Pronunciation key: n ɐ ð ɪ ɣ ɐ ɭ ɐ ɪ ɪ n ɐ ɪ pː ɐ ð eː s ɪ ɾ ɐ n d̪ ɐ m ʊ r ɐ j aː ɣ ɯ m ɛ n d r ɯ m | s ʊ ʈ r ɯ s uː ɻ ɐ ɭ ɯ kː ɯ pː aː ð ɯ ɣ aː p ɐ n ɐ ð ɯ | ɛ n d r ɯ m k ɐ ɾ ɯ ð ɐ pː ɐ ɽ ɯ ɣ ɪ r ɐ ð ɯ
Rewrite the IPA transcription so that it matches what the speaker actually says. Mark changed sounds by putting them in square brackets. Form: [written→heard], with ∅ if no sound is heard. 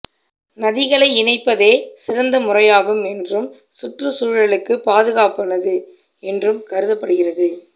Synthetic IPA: n ɐ ð ɪ ɣ ɐ ɭ ɐ ɪ ɪ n ɐ ɪ pː ɐ ð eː s ɪ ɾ ɐ n d̪ ɐ m ʊ r ɐ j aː ɣ ɯ m ɛ n d r ɯ m | s ʊ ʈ r ɯ s uː ɻ ɐ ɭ ɯ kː ɯ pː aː ð ɯ ɣ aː p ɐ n ɐ ð ɯ | ɛ n d r ɯ m k ɐ ɾ ɯ ð ɐ pː ɐ ɽ ɯ ɣ ɪ r ɐ ð ɯ